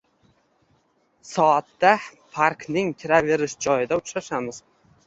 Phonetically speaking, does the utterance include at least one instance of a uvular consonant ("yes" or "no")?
no